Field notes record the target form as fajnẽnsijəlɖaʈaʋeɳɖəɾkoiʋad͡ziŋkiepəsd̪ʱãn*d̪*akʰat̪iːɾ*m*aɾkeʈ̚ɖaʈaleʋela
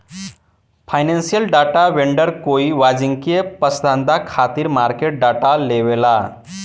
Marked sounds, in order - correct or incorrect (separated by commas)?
correct, correct